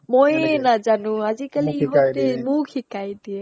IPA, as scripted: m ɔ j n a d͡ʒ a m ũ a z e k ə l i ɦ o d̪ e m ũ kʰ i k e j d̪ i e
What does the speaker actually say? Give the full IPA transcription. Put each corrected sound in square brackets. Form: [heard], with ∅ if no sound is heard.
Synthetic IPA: m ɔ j n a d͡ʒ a [n] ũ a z [i] k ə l i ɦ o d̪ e m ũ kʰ i k [a] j d̪ i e